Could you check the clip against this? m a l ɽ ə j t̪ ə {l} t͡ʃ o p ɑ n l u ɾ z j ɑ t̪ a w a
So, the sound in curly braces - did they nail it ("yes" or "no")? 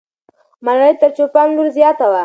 no